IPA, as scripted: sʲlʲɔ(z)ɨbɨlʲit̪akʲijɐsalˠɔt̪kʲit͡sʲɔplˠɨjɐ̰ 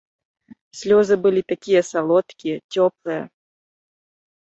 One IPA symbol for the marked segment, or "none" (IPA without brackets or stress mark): z